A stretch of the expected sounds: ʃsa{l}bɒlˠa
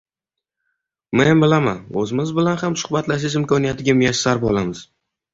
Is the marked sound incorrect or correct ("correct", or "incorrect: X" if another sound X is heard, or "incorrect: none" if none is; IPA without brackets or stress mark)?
incorrect: ɾ